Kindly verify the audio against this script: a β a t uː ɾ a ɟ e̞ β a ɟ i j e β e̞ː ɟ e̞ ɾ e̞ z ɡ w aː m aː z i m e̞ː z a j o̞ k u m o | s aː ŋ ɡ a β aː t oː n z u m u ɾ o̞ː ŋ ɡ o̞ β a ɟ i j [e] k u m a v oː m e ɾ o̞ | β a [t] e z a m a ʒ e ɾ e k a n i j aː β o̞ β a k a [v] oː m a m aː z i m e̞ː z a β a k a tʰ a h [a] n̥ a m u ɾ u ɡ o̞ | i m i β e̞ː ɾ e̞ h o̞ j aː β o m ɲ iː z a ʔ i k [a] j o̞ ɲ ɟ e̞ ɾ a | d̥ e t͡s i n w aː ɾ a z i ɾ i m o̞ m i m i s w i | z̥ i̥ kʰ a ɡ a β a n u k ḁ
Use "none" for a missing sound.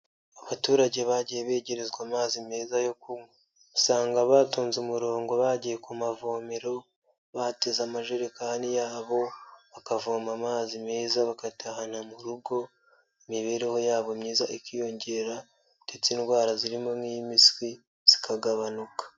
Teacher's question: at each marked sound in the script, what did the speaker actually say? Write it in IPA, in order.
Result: e, t, v, a, i

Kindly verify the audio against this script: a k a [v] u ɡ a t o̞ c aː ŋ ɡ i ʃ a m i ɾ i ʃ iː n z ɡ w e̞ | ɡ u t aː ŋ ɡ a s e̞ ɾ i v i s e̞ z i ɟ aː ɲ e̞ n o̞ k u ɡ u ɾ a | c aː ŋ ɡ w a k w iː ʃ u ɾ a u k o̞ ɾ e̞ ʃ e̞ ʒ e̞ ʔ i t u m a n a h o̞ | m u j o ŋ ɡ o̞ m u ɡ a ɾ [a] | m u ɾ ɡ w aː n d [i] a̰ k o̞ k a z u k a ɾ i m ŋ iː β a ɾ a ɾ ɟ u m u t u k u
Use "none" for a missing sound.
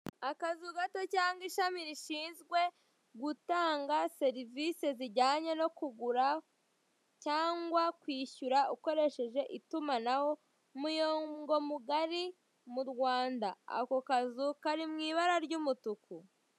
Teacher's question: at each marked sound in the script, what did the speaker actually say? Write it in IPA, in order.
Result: z, i, a

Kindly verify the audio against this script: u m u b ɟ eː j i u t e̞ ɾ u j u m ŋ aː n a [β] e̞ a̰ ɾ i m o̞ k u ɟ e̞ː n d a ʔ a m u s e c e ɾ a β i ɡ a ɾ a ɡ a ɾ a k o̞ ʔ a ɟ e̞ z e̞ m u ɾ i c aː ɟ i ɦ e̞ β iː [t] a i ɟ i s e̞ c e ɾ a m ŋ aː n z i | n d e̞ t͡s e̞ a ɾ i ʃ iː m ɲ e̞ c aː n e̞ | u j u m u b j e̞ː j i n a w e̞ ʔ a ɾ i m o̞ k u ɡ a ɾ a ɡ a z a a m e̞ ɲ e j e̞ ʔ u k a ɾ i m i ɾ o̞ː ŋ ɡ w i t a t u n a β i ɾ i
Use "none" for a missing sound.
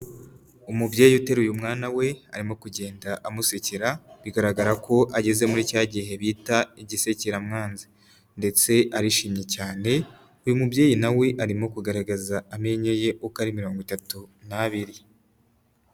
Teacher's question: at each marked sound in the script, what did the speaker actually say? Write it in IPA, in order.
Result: w, t

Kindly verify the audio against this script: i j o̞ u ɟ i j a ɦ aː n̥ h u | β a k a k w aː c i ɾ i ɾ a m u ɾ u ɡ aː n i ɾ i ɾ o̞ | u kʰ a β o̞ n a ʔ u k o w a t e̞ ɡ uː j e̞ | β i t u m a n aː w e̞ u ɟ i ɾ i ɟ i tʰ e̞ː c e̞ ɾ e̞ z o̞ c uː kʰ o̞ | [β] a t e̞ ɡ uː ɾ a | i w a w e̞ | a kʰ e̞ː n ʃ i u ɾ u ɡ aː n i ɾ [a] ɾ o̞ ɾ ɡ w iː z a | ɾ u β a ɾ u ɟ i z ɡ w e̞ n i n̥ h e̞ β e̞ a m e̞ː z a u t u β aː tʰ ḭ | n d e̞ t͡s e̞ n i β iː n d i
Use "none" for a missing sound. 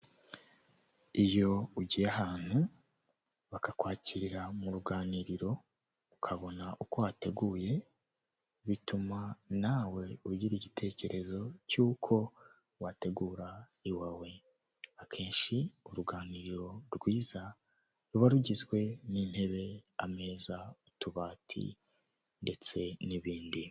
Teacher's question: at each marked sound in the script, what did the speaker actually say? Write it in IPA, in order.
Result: w, i

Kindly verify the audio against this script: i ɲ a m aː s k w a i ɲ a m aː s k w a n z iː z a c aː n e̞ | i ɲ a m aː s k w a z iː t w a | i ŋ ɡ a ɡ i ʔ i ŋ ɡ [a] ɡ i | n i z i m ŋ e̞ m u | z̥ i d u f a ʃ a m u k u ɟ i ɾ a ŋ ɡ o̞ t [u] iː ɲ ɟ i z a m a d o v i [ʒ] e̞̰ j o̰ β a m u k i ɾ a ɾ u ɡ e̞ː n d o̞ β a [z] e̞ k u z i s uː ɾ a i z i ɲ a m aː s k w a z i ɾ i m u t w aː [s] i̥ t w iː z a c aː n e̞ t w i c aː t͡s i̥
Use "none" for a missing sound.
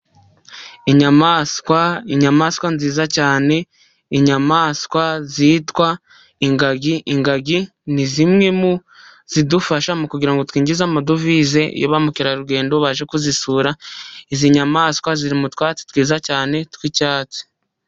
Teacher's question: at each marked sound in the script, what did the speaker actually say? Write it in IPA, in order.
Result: a, w, z, ʒ, t͡s

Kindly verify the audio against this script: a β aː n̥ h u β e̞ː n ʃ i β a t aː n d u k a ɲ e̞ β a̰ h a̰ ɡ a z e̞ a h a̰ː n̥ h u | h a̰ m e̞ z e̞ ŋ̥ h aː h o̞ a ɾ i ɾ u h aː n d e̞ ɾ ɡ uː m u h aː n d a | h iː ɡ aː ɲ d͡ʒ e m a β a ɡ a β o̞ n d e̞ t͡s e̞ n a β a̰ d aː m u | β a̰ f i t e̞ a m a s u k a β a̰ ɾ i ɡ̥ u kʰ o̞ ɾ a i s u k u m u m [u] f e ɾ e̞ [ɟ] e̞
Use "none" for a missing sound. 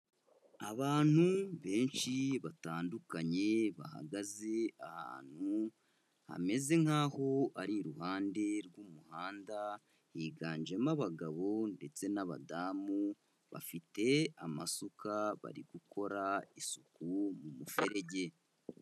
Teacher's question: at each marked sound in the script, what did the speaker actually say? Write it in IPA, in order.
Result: u, ɟ

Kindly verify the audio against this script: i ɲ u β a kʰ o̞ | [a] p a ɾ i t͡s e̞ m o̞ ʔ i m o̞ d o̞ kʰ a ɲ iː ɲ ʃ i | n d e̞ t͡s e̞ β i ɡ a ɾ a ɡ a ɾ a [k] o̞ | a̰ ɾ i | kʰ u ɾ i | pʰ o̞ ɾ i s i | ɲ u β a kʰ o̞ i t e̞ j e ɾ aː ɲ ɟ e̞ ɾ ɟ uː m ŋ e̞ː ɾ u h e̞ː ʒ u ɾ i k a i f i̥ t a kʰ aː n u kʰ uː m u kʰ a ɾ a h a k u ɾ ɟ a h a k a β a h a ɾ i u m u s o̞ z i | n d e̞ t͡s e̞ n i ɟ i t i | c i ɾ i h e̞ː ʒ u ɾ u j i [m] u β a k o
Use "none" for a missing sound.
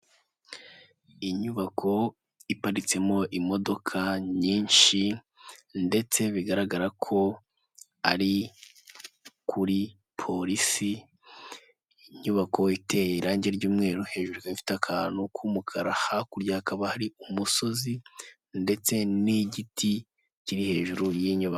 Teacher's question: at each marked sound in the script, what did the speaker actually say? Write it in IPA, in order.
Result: i, kʰ, ɲ

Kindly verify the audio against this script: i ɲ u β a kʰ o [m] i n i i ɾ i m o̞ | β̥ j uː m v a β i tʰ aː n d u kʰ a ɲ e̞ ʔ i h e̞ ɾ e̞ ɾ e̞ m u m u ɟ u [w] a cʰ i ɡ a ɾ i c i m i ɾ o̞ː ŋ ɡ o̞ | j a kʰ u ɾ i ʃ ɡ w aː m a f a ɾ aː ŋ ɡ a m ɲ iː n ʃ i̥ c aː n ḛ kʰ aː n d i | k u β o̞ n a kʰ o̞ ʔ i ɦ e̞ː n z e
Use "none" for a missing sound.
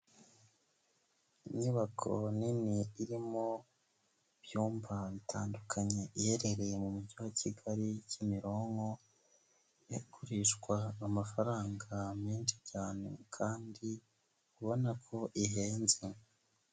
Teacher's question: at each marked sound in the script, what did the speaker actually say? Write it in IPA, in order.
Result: n, w

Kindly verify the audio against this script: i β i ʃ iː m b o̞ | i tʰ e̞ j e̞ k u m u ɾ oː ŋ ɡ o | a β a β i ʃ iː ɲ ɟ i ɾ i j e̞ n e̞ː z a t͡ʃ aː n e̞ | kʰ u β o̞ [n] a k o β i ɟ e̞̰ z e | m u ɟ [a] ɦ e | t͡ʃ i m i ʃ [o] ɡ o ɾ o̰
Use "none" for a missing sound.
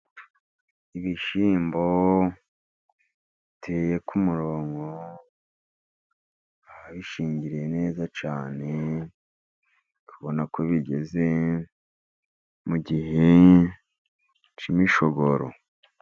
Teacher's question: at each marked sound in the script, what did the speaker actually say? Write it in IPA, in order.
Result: n, i, o

